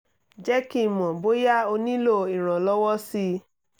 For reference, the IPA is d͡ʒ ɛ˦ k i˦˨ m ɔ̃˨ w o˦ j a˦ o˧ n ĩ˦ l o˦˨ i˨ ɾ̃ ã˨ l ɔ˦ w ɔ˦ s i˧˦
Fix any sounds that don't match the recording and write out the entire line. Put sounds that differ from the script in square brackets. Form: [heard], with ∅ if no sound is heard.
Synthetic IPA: d͡ʒ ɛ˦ k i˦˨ m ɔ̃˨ [b] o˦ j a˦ o˧ n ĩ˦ l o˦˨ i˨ ɾ̃ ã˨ l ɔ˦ w ɔ˦ s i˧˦